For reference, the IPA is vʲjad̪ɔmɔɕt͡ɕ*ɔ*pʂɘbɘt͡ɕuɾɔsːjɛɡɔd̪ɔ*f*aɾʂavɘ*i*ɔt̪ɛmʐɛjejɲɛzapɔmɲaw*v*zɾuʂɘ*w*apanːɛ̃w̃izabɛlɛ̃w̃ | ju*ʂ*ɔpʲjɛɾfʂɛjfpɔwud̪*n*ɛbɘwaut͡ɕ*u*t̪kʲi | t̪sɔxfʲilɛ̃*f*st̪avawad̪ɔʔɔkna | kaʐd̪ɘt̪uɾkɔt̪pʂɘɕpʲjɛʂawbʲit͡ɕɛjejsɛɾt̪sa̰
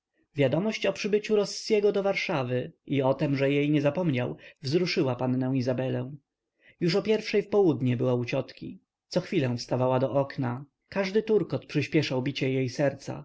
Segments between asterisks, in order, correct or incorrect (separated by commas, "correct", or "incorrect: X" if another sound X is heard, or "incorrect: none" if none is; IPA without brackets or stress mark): correct, incorrect: v, correct, correct, correct, correct, incorrect: ɲ, incorrect: ɔ, correct